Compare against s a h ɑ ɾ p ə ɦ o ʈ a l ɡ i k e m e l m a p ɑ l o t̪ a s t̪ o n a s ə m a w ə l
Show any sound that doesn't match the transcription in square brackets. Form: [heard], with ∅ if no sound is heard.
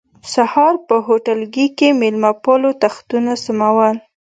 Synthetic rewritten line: s a h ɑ ɾ p ə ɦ o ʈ a l ɡ i k e m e l m a p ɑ l o t̪ a [x] t̪ [u] n a s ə m a w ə l